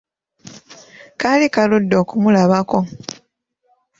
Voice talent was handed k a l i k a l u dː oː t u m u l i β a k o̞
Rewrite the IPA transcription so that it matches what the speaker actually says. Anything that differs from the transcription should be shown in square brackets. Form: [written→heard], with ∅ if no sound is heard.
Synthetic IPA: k a l i k a l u dː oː [t→k] u m u l [i→a] β a k o̞